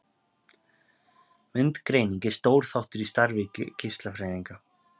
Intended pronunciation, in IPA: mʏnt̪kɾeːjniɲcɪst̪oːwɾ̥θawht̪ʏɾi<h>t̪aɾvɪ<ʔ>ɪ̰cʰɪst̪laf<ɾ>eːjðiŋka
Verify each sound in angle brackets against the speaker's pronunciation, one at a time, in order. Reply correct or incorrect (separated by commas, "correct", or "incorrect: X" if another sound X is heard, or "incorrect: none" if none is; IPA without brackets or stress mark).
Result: incorrect: s, incorrect: c, correct